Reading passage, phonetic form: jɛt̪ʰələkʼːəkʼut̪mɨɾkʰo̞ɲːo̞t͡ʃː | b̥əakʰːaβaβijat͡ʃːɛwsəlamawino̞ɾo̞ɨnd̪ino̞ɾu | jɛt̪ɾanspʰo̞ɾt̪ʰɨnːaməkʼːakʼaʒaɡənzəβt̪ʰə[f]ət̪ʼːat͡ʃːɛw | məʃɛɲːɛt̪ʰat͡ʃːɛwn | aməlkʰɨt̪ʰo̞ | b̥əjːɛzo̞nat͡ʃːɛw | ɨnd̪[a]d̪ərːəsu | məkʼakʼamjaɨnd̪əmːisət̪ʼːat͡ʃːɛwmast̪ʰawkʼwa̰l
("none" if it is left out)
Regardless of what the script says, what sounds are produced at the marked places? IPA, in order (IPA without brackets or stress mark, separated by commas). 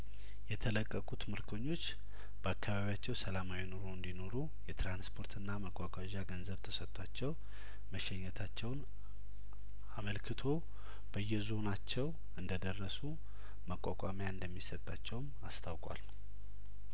s, ə